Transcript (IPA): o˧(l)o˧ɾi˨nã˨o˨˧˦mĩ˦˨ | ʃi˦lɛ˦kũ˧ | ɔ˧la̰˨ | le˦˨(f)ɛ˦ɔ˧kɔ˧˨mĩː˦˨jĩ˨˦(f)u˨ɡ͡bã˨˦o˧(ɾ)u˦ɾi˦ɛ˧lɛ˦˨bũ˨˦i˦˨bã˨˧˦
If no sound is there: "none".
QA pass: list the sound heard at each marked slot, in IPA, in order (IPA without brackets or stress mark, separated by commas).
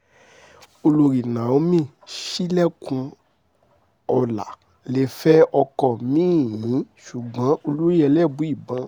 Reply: l, f, ʃ, l